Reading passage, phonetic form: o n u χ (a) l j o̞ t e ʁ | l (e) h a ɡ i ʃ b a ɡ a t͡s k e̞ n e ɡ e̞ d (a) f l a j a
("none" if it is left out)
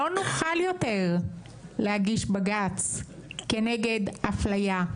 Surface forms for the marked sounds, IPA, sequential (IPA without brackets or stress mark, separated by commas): a, e, a